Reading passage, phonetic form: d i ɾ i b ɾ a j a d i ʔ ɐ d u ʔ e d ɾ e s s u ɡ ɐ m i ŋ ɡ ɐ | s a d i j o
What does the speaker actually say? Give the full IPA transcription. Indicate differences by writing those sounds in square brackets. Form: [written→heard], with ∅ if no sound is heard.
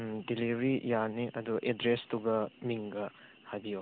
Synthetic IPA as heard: d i [ɾ→l] i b ɾ [a→i] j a [d→n] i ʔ ɐ d u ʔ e d ɾ e s [s→t] u ɡ ɐ m i ŋ ɡ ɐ | [s→h] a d i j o